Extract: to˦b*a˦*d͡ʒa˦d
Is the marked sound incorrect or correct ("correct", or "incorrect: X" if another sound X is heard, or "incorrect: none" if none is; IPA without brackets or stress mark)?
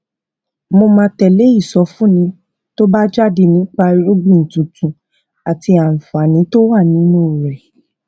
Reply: correct